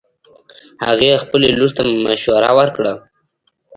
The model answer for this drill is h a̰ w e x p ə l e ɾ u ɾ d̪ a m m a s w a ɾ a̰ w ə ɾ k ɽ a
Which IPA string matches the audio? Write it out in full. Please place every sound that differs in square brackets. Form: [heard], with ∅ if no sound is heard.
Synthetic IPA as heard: h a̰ [ɣ] e x p ə l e [l] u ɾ [t̪] a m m a [ʃ] w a ɾ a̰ w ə ɾ k ɽ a